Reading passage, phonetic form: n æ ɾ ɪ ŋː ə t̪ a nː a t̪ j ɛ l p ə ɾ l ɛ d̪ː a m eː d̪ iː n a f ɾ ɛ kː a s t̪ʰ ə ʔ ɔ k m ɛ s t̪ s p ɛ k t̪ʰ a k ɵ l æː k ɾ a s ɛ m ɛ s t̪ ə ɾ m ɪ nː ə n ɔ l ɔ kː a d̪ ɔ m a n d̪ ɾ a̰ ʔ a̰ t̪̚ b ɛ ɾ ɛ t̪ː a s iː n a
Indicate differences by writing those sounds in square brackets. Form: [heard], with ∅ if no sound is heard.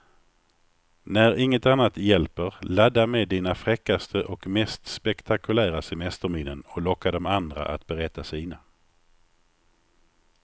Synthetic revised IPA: n æ ɾ ɪ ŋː ə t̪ a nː a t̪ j ɛ l p ə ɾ l [a] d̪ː a m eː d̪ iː n a f ɾ ɛ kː a s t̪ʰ ə ʔ ɔ k m ɛ s t̪ s p ɛ k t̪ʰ a k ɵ l æː [∅] ɾ a s ɛ m ɛ s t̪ ə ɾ m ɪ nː ə n ɔ l ɔ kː a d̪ ɔ m a n d̪ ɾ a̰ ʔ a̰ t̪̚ b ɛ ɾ ɛ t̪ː a s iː n a